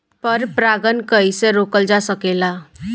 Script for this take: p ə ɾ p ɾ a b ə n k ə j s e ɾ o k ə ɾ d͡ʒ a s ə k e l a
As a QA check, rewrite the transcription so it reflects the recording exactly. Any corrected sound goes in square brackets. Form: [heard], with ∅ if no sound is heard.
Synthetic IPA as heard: p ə ɾ p ɾ a [ɡ] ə n k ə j s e ɾ o k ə [l] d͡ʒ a s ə k e l a